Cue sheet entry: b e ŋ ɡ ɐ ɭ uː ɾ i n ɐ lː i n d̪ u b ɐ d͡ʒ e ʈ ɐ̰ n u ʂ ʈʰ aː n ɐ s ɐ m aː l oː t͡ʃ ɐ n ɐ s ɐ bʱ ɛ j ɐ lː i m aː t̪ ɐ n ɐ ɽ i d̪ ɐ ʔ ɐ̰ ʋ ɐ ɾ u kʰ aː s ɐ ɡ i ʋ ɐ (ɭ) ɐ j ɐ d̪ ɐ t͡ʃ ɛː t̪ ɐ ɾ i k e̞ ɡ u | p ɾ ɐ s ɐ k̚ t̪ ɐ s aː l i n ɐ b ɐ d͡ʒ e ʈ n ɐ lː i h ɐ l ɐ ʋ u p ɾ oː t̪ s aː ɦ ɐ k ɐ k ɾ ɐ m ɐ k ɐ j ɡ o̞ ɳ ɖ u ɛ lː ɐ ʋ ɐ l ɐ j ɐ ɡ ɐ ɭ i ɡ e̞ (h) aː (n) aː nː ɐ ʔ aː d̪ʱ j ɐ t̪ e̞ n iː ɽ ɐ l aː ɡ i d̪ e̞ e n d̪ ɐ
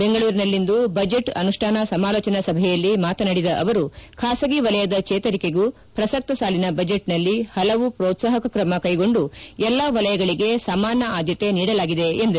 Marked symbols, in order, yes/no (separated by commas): no, no, no